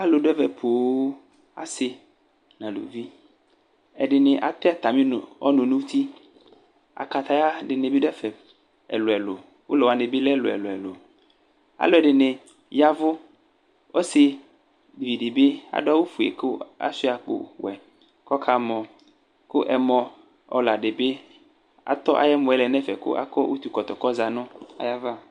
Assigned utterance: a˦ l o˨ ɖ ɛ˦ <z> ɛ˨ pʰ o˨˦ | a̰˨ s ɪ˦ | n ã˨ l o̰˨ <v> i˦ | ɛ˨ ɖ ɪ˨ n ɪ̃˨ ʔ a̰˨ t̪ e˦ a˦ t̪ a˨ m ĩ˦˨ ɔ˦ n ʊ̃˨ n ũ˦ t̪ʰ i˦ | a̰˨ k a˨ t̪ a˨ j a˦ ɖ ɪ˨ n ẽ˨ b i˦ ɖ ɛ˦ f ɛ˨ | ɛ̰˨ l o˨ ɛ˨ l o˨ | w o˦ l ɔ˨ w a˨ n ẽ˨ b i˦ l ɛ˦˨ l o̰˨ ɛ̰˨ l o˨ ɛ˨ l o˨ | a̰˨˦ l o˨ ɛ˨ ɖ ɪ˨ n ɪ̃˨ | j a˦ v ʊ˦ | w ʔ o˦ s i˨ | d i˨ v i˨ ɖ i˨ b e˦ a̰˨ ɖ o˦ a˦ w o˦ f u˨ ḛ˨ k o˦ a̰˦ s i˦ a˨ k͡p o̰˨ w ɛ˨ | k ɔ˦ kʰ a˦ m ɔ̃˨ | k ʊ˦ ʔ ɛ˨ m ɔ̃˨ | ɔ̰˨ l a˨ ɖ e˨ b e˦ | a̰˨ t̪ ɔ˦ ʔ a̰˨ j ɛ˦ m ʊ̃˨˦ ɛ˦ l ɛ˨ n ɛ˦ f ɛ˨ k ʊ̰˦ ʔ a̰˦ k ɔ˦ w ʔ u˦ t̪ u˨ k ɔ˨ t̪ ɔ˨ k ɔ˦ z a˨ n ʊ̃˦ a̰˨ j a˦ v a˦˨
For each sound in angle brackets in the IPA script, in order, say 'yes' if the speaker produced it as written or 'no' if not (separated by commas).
no, yes